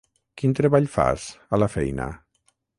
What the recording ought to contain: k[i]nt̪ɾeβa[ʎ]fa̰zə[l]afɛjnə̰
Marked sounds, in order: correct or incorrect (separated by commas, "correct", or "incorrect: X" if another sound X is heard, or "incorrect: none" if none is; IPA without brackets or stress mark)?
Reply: correct, correct, correct